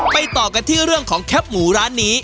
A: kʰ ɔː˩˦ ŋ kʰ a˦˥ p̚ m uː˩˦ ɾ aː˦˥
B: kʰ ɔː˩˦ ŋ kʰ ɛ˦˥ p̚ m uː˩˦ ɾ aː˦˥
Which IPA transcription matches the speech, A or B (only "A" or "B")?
B